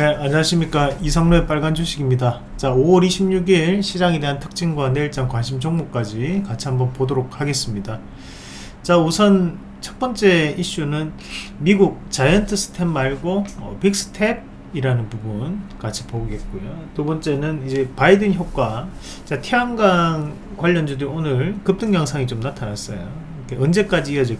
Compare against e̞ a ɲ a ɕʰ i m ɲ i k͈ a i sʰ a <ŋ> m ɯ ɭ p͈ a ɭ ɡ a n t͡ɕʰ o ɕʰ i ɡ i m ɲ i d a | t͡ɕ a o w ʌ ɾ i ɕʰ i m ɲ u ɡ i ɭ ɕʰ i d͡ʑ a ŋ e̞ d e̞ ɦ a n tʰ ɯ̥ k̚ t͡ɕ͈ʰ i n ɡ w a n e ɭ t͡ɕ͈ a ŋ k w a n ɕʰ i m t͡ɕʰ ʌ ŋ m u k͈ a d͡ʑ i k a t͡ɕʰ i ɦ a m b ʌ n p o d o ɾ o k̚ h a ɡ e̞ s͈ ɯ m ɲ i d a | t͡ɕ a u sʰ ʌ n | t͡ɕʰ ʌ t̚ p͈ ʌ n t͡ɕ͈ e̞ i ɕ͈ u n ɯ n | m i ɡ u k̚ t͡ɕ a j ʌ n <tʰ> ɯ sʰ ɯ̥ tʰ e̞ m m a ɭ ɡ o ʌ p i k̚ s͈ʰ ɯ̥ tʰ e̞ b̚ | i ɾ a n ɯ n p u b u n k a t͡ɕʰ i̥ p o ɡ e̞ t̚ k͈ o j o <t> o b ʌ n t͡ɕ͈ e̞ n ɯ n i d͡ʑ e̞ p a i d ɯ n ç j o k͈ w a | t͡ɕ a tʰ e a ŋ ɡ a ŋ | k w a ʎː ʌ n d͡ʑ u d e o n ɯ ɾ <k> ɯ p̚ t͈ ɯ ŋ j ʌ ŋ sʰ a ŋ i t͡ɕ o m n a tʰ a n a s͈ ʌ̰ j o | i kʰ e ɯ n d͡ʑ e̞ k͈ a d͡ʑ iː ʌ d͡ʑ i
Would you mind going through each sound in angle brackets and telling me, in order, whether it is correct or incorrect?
correct, correct, correct, correct

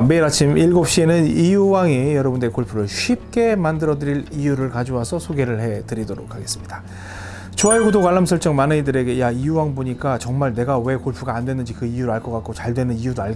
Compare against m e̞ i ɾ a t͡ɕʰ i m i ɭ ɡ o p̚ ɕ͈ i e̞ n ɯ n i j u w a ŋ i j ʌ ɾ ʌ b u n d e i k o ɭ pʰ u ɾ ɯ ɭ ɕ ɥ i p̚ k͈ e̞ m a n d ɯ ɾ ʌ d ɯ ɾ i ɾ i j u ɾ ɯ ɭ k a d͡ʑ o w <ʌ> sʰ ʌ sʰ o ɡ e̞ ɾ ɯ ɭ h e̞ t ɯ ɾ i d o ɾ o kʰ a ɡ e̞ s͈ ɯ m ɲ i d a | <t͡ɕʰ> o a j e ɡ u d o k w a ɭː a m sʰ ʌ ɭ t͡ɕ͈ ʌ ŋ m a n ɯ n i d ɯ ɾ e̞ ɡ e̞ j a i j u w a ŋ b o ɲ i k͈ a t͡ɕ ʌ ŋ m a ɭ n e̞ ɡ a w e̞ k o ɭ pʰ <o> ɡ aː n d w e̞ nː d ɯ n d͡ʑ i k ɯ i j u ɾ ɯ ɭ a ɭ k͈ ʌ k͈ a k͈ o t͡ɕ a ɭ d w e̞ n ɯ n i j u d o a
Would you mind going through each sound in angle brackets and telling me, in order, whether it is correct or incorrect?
incorrect: a, incorrect: t͡ɕ, incorrect: u

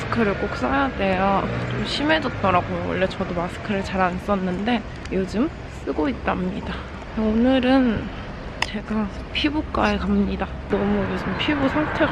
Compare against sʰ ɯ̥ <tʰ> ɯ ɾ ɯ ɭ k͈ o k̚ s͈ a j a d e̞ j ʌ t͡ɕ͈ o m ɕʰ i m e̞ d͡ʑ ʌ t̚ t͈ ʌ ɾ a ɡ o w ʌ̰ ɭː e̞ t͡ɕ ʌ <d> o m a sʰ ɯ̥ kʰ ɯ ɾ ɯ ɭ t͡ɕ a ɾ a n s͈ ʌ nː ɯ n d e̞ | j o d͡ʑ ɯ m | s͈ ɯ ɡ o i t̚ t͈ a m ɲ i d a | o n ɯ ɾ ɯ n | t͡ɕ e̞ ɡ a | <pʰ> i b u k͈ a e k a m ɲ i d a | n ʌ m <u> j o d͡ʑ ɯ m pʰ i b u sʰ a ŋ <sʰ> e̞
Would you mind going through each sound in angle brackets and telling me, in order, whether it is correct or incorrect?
incorrect: kʰ, correct, correct, correct, incorrect: tʰ

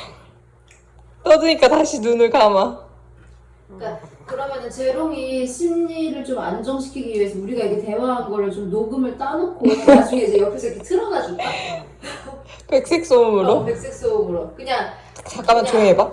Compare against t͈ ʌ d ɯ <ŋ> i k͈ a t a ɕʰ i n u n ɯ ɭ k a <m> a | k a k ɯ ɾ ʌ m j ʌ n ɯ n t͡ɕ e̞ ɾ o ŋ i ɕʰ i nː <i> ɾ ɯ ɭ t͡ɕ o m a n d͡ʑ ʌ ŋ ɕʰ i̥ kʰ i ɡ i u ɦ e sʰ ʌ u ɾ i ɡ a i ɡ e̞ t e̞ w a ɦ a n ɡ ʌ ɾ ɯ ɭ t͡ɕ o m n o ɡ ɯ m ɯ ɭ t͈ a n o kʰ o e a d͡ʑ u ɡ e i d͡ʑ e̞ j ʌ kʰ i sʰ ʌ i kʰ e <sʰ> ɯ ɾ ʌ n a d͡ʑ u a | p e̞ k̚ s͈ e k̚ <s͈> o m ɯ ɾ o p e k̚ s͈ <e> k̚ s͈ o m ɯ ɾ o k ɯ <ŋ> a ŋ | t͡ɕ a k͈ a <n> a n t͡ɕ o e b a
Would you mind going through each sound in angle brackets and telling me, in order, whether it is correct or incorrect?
incorrect: ɲ, correct, correct, incorrect: tʰ, correct, correct, incorrect: ɲ, incorrect: m

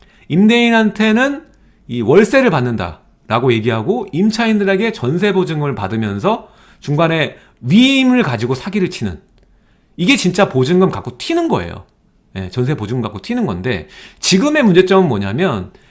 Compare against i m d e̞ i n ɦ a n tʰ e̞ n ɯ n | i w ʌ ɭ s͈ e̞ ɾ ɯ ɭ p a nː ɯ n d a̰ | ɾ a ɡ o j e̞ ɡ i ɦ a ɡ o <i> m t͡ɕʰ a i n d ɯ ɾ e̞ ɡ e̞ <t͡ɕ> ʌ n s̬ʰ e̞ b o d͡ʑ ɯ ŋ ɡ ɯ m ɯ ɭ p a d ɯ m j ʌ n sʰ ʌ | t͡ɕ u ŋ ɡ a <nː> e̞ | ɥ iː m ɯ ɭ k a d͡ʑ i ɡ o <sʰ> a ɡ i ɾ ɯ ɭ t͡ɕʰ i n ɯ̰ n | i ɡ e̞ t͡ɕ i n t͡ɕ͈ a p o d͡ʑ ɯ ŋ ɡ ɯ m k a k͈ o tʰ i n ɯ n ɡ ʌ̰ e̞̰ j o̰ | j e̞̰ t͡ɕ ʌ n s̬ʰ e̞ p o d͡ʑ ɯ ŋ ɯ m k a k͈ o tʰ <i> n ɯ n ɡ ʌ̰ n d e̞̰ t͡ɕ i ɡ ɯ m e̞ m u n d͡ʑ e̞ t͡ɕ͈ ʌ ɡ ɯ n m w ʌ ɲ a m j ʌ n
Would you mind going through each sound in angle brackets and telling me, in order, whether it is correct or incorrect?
correct, correct, incorrect: n, correct, correct

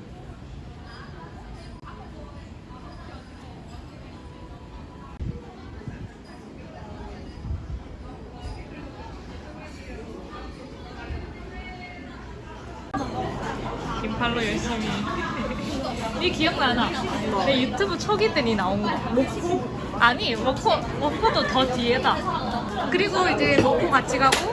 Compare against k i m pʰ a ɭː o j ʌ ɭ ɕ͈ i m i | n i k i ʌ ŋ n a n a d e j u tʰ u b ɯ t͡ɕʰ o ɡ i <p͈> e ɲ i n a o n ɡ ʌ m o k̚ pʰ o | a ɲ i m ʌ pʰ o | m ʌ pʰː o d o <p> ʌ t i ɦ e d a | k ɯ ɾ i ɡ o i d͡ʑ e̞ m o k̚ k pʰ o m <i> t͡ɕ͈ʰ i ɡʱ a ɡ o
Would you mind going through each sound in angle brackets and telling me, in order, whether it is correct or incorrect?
incorrect: t͈, incorrect: t, incorrect: a

